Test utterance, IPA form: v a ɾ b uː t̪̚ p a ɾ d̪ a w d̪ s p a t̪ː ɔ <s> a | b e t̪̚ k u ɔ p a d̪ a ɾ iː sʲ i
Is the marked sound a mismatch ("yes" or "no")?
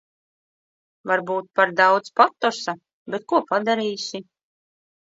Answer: no